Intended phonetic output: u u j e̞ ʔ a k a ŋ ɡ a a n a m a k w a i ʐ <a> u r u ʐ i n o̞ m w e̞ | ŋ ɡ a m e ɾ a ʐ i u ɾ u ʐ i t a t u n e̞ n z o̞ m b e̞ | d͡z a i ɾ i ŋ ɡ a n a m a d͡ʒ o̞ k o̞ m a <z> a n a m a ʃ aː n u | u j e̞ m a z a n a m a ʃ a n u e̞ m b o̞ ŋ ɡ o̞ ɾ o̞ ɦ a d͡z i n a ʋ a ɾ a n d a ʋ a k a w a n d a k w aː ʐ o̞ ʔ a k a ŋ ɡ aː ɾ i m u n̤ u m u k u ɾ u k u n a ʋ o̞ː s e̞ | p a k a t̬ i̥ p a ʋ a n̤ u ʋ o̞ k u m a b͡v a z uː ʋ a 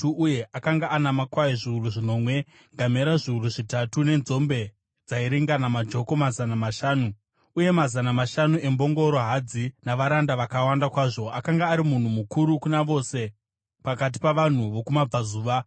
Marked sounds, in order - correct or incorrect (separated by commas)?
incorrect, correct